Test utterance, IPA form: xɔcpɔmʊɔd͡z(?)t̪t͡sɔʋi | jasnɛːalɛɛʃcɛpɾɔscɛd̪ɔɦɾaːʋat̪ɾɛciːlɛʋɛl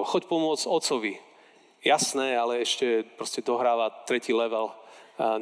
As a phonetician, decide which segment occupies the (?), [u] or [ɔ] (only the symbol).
ɔ